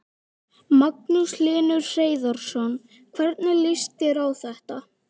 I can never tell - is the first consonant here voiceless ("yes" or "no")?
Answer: no